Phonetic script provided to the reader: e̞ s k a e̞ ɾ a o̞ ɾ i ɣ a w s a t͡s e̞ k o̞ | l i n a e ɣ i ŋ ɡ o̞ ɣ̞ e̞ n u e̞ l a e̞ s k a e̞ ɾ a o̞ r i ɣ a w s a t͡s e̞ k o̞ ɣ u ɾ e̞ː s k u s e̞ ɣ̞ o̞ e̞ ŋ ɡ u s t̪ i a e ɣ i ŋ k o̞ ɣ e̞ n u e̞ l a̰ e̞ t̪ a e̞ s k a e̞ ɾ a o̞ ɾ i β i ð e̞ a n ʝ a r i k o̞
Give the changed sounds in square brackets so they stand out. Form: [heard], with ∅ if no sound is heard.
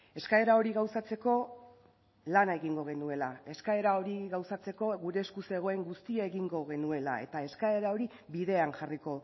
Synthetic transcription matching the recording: e̞ s k a e̞ ɾ a o̞ ɾ i ɣ a w s a t͡s e̞ k o̞ | l [a] n a e ɣ i ŋ ɡ o̞ ɣ̞ e̞ n u e̞ l a e̞ s k a e̞ ɾ a o̞ [ɾ] i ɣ a w s a t͡s e̞ k o̞ ɣ u ɾ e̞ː s k u s e̞ ɣ̞ o̞ e̞ ŋ ɡ u s t̪ i a e ɣ i ŋ [ɡ] o̞ ɣ e̞ n u e̞ l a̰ e̞ t̪ a e̞ s k a e̞ ɾ a o̞ ɾ i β i ð e̞ a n ʝ a r i k o̞